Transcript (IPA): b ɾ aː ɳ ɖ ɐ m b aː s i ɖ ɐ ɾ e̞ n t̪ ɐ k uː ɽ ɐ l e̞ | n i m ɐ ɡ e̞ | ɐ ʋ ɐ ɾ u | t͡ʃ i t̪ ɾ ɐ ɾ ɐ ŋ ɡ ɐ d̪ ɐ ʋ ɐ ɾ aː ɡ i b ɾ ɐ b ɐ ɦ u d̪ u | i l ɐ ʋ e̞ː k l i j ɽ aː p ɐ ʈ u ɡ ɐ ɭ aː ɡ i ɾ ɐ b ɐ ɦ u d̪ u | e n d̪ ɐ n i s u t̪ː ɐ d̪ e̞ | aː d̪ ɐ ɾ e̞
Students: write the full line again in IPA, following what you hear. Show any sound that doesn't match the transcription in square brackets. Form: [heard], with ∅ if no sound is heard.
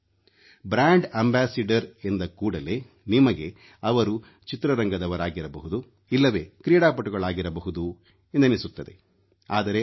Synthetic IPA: b ɾ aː ɳ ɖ ɐ m b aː s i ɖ ɐ ɾ e̞ n [d̪] ɐ k uː ɽ ɐ l e̞ | n i m ɐ ɡ e̞ | ɐ ʋ ɐ ɾ u | t͡ʃ i t̪ ɾ ɐ ɾ ɐ ŋ ɡ ɐ d̪ ɐ ʋ ɐ ɾ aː ɡ i [∅] ɾ ɐ b ɐ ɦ u d̪ u | i [lː] ɐ ʋ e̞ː k [ɾ] i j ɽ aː p ɐ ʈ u ɡ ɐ ɭ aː ɡ i ɾ ɐ b ɐ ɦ u d̪ u | e n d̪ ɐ n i s u t̪ː ɐ d̪ e̞ | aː d̪ ɐ ɾ e̞